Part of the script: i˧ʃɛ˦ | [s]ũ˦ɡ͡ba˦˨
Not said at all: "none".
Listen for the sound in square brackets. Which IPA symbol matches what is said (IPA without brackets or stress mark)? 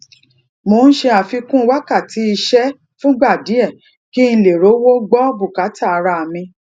f